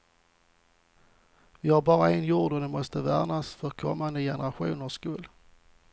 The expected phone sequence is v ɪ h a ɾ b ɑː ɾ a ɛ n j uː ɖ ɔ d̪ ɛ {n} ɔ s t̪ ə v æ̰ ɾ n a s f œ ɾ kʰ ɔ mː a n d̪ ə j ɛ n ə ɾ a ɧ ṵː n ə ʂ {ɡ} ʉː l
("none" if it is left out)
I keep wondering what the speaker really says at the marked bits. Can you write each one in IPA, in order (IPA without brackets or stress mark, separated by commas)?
m, k